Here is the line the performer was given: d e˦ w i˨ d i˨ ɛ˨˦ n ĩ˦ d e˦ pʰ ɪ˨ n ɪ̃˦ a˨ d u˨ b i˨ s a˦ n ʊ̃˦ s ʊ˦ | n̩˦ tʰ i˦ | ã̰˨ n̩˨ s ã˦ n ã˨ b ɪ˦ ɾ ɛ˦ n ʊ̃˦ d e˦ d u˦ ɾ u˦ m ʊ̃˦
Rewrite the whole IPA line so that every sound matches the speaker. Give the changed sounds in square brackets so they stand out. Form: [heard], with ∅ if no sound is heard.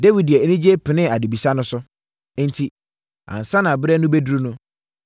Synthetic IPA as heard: d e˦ w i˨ d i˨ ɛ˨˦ n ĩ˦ [d͡ʑ] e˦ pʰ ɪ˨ n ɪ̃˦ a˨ d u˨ b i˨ s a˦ n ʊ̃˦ s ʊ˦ | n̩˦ tʰ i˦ | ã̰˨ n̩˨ s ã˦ n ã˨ b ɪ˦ ɾ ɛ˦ n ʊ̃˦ [b] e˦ d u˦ ɾ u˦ [n] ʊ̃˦